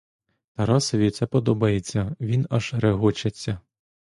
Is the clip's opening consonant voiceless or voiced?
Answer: voiceless